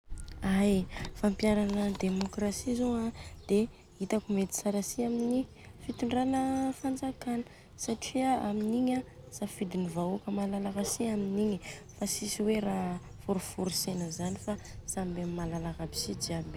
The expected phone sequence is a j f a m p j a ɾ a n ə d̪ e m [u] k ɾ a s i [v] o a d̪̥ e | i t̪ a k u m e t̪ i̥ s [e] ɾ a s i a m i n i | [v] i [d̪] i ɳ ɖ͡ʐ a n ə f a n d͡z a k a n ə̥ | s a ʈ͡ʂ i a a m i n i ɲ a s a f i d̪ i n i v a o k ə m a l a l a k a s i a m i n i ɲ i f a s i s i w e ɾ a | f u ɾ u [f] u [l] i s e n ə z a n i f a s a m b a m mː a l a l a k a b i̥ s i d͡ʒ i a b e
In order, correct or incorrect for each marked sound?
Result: incorrect, incorrect, incorrect, incorrect, incorrect, correct, incorrect

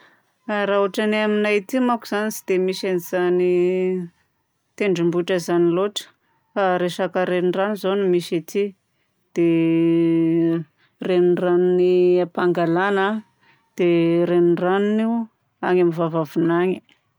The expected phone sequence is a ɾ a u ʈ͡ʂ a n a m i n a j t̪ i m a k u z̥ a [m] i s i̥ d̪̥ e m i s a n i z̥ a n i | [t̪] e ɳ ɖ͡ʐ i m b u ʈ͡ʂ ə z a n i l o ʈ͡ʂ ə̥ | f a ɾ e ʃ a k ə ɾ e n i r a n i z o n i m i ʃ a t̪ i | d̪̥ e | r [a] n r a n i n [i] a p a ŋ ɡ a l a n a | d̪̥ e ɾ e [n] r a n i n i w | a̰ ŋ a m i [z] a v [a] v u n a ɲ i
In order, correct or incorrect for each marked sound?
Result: incorrect, correct, incorrect, correct, correct, incorrect, correct

